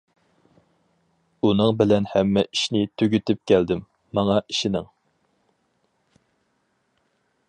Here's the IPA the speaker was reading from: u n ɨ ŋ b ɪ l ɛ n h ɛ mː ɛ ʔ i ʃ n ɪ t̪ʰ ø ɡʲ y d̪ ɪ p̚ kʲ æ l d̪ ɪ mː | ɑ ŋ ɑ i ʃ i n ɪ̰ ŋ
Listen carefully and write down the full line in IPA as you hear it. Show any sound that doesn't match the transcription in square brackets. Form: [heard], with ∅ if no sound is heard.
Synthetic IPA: u n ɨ ŋ b ɪ l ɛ n h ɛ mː ɛ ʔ i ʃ n ɪ t̪ʰ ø ɡʲ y [t̪] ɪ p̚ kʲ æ l d̪ ɪ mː | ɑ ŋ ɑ i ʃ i n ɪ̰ ŋ

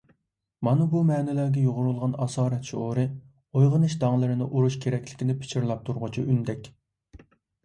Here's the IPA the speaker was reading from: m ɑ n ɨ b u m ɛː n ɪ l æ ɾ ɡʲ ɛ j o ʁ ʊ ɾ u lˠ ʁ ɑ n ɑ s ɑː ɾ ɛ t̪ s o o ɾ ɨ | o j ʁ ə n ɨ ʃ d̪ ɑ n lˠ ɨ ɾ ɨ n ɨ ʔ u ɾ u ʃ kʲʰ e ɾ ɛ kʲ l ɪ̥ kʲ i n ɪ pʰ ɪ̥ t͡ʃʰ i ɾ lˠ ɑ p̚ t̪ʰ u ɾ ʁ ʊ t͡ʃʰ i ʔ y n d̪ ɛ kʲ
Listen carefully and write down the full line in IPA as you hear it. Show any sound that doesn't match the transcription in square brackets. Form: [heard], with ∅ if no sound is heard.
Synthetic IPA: m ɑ n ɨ b u m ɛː n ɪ l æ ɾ ɡʲ ɛ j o ʁ ʊ ɾ u lˠ ʁ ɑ n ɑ s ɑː ɾ ɛ t̪ [ʃ] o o ɾ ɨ | o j ʁ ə n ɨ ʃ d̪ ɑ [ŋ] lˠ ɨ ɾ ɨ n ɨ ʔ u ɾ u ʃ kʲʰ e ɾ ɛ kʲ l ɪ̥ kʲ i n ɪ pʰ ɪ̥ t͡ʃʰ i ɾ lˠ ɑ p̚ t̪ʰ u ɾ ʁ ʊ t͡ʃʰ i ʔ y n d̪ ɛ kʲ

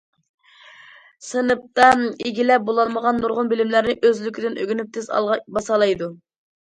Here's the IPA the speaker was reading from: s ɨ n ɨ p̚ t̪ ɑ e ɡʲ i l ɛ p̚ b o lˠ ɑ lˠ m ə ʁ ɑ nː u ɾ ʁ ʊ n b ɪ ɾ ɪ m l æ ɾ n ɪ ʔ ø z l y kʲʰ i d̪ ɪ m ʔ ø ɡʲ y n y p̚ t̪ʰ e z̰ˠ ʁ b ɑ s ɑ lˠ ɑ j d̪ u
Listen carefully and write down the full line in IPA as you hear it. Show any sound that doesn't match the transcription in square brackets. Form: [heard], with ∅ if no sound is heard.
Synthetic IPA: s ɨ n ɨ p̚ t̪ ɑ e ɡʲ i l ɛ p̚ b o lˠ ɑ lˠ m ə ʁ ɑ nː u ɾ ʁ ʊ n b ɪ [l] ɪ m l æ ɾ n ɪ ʔ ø z l y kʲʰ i d̪ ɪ [n] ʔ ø ɡʲ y n y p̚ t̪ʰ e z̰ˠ ʁ b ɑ s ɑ lˠ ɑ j d̪ u

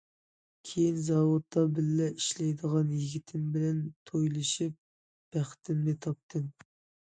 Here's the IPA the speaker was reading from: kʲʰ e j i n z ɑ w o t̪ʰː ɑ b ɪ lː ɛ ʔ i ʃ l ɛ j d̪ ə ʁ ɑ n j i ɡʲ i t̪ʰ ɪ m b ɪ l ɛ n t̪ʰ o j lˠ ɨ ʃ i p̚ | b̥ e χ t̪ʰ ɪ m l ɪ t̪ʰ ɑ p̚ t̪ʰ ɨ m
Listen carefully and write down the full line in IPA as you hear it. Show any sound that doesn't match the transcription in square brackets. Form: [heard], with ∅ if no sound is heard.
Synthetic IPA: kʲʰ e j i n z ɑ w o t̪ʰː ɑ b ɪ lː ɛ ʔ i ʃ l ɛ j d̪ ə ʁ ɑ n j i ɡʲ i t̪ʰ ɪ m b ɪ l ɛ n t̪ʰ o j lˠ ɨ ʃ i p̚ | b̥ [æ] χ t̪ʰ ɪ m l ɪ t̪ʰ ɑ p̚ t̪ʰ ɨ m

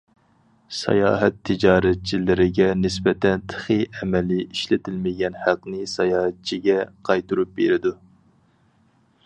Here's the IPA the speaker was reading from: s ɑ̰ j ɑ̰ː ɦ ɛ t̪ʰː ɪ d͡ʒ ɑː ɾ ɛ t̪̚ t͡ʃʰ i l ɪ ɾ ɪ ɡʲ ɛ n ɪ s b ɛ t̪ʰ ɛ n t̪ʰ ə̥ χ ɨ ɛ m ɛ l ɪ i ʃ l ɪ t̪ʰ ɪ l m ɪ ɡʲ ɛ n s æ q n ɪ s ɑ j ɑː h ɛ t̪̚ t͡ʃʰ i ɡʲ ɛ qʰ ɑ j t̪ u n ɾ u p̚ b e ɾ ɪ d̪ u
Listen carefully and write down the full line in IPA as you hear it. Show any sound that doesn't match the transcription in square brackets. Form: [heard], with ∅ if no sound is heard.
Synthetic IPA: s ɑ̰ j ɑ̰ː ɦ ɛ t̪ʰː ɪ d͡ʒ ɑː ɾ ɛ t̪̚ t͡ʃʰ i l ɪ ɾ ɪ ɡʲ ɛ n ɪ s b ɛ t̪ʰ ɛ n t̪ʰ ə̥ χ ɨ ɛ m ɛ l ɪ i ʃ l ɪ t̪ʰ ɪ l m ɪ ɡʲ ɛ n [h] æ q n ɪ s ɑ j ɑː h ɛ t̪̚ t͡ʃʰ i ɡʲ ɛ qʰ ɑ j t̪ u [∅] ɾ u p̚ b e ɾ ɪ d̪ u

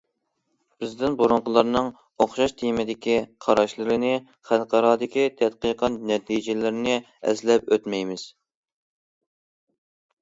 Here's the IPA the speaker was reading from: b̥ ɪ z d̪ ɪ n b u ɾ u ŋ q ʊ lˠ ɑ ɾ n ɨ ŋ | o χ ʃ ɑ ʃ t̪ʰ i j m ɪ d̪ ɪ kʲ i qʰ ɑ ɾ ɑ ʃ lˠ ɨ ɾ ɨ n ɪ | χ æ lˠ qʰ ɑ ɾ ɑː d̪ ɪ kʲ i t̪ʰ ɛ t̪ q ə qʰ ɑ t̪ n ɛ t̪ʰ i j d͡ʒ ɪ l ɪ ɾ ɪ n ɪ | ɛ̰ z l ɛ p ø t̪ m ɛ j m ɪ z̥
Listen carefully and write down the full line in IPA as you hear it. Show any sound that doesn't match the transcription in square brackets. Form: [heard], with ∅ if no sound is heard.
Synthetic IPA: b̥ ɪ z d̪ ɪ n b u ɾ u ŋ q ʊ lˠ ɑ ɾ n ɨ ŋ | o χ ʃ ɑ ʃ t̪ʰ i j m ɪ d̪ ɪ kʲ i qʰ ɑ ɾ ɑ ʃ lˠ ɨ ɾ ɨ n ɪ | χ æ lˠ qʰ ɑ ɾ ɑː d̪ ɪ kʲ i t̪ʰ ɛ t̪ q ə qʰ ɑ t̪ n ɛ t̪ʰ i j d͡ʒ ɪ l ɪ ɾ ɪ n ɪ | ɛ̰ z l ɛ p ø t̪ m ɛ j m ɪ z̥

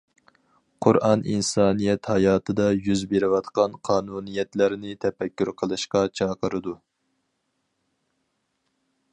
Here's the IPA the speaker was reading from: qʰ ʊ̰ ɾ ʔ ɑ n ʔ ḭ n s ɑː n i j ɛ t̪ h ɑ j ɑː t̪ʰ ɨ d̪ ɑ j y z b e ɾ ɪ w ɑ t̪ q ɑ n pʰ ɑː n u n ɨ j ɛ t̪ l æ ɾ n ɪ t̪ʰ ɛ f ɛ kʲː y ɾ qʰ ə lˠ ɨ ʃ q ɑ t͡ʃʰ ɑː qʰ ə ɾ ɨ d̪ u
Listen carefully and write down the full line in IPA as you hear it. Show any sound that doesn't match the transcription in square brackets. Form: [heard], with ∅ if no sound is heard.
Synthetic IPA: qʰ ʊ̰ ɾ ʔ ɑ n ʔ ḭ n s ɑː n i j ɛ t̪ h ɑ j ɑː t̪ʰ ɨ d̪ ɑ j y z b e ɾ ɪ w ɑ t̪ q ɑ n [qʰ] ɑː n u n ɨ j ɛ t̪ l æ ɾ n ɪ t̪ʰ ɛ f ɛ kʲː y ɾ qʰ ə lˠ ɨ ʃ q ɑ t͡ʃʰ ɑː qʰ ə ɾ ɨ d̪ u

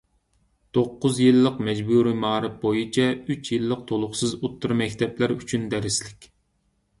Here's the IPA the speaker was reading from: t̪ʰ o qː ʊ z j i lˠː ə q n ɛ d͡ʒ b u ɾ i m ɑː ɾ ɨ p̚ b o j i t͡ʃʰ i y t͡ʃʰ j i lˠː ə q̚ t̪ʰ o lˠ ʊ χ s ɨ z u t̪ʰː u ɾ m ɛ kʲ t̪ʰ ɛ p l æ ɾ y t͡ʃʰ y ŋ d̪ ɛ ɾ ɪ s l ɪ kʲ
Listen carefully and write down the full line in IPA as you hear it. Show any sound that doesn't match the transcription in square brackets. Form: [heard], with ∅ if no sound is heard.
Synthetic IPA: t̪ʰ o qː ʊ z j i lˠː ə q [m] ɛ d͡ʒ b u ɾ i m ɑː ɾ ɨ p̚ b o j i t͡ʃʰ [ɛ] y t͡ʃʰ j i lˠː ə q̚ t̪ʰ o lˠ ʊ χ s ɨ z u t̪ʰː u ɾ m ɛ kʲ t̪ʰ ɛ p l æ ɾ y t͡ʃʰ y [n] d̪ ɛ ɾ ɪ s l ɪ kʲ

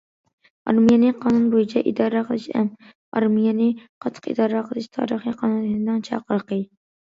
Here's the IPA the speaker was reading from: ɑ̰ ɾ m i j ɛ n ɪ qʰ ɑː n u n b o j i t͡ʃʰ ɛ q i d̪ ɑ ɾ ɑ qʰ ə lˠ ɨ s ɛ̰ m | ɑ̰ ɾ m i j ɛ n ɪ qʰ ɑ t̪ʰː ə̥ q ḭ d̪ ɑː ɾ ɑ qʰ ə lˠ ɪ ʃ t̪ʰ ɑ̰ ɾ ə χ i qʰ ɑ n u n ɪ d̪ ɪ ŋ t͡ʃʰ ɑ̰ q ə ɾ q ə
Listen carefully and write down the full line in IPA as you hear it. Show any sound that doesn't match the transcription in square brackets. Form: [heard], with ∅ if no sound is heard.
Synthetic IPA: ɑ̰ ɾ m i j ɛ n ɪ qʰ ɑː n u n b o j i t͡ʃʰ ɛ [ʔ] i d̪ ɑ ɾ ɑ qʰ ə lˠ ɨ [ʃ] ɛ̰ m | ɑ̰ ɾ m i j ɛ n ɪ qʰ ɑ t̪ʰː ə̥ q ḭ d̪ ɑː ɾ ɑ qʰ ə lˠ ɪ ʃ t̪ʰ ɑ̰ ɾ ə χ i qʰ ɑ n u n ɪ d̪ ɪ ŋ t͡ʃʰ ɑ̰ q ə ɾ q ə

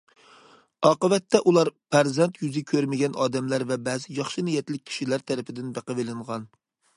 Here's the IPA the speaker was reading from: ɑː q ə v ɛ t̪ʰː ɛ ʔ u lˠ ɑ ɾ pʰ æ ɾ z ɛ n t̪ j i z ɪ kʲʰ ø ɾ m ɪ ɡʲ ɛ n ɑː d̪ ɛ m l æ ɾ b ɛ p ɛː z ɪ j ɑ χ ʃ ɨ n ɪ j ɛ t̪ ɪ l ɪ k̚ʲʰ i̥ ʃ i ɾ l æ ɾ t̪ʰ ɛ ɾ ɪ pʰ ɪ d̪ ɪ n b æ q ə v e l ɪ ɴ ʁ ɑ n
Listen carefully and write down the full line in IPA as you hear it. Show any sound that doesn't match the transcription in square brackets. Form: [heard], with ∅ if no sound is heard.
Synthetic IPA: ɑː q ə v ɛ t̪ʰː ɛ ʔ u lˠ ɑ ɾ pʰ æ ɾ z ɛ n t̪ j [y] z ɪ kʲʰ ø ɾ m ɪ ɡʲ ɛ n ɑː d̪ ɛ m l æ ɾ [v] ɛ [b] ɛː z ɪ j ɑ χ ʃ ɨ n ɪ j ɛ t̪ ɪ l ɪ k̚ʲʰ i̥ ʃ i [∅] l æ ɾ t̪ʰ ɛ ɾ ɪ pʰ ɪ d̪ ɪ n b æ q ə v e l ɪ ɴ ʁ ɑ n

